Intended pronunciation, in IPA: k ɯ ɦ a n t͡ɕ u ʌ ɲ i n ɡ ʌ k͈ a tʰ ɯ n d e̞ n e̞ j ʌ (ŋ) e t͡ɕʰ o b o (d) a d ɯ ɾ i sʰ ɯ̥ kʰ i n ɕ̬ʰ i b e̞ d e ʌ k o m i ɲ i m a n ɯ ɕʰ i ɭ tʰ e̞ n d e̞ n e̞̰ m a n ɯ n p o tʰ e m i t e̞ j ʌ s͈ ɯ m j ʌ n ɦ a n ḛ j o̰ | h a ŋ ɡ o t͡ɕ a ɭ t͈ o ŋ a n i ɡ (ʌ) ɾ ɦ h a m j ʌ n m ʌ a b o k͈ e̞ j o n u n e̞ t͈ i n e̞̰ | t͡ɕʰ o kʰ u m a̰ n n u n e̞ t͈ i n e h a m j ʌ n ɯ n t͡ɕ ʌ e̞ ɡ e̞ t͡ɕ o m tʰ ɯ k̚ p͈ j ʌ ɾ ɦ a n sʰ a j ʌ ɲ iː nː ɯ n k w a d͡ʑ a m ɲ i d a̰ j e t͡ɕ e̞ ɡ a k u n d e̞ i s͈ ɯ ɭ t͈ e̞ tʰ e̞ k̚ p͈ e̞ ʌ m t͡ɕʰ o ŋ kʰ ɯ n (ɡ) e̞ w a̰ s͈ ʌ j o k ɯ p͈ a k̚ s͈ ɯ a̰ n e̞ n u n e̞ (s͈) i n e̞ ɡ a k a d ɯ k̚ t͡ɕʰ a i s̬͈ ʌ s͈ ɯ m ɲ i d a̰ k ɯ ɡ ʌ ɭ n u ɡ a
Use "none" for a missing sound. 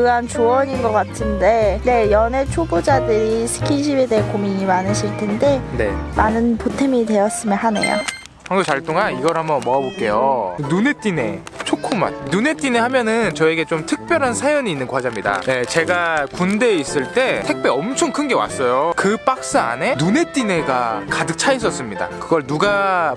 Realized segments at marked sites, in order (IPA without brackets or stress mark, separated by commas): n, d͡ʑ, ʌ, ɡ, t͈